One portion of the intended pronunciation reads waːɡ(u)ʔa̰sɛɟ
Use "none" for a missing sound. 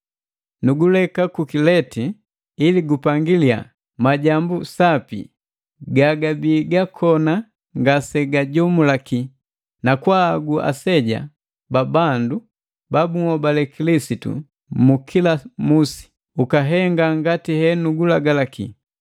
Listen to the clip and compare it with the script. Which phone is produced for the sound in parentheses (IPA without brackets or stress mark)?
u